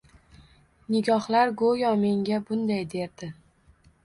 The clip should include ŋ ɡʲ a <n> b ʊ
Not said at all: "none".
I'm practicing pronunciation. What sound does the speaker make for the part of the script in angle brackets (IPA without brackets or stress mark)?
none